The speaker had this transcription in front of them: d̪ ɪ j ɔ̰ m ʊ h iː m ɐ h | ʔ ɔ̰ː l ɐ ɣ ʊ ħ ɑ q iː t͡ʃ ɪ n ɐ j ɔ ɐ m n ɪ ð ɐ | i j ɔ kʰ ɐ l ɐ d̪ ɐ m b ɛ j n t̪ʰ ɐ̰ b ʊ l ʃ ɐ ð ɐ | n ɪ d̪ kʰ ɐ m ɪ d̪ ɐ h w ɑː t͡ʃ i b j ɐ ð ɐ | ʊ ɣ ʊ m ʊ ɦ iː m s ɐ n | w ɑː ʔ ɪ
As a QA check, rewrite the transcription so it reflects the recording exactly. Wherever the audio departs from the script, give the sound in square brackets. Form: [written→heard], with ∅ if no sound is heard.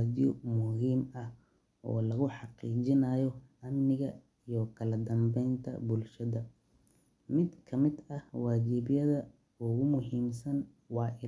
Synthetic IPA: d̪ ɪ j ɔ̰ m ʊ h iː m ɐ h | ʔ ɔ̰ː l ɐ ɣ ʊ ħ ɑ q iː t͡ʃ ɪ n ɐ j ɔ ɐ m n ɪ [ð→ɣ] ɐ | i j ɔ kʰ ɐ l ɐ d̪ ɐ m b ɛ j n t̪ʰ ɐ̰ b ʊ l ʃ ɐ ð ɐ | [n→m] ɪ d̪ kʰ ɐ m ɪ d̪ ɐ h w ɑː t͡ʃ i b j ɐ ð ɐ | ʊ ɣ ʊ m ʊ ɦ iː m s ɐ n | w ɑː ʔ ɪ